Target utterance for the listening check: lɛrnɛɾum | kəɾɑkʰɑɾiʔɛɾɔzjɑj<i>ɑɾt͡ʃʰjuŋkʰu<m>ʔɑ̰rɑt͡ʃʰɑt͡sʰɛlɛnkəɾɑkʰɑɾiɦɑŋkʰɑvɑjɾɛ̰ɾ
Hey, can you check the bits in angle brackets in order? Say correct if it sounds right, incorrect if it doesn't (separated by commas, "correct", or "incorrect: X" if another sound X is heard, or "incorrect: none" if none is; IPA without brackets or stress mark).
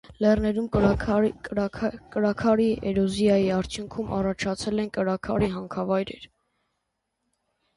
correct, correct